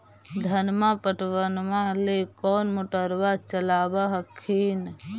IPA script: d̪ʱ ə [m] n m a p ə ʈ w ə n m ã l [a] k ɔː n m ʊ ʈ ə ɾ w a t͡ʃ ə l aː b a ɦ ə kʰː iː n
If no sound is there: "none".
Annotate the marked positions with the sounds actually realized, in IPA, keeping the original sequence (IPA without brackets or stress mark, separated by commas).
none, e